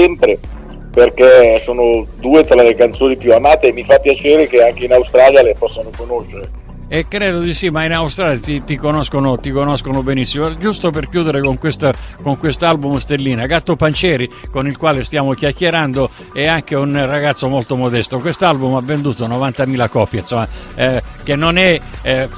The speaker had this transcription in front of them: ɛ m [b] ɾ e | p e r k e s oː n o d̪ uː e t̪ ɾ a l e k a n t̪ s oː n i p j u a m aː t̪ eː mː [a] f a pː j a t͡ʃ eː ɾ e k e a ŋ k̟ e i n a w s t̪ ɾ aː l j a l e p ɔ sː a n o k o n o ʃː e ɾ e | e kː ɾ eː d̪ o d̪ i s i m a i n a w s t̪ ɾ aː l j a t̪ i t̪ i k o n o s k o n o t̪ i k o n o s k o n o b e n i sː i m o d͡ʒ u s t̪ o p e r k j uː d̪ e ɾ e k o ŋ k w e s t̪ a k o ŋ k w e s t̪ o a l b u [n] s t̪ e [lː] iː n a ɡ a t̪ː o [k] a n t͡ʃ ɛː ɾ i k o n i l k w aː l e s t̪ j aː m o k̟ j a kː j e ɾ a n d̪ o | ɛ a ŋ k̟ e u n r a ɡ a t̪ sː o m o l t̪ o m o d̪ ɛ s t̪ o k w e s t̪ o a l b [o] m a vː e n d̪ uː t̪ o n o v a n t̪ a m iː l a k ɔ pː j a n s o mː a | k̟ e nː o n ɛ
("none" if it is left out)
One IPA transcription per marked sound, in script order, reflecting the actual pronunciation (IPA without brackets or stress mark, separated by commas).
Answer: p, i, m, lː, p, u